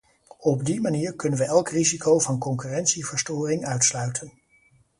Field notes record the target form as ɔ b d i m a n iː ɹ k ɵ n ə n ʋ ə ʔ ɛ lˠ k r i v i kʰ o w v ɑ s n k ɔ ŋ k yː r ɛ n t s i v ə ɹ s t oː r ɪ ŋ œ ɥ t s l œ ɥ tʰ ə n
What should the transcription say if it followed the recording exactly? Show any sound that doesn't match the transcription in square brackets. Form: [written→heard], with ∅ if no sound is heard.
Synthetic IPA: ɔ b d i m a n iː ɹ k ɵ n ə n ʋ ə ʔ ɛ lˠ k r i [v→z] i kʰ o w v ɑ [s→∅] n k ɔ ŋ k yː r ɛ n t s i v ə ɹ s t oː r ɪ ŋ œ ɥ t s l œ ɥ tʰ ə n